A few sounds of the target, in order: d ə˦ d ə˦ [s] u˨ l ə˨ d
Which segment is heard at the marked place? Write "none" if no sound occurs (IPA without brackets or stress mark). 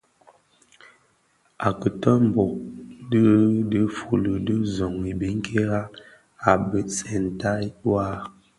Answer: f